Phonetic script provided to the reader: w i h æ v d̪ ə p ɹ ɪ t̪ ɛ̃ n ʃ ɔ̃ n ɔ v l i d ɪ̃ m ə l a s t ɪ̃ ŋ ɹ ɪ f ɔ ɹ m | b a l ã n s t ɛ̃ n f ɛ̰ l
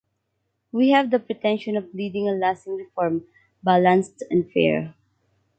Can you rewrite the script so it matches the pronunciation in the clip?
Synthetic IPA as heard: w i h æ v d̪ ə p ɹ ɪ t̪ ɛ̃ n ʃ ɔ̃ n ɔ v l i d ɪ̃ ŋ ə l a s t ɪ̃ ŋ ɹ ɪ f ɔ ɹ m | b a l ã n s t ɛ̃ n f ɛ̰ ɹ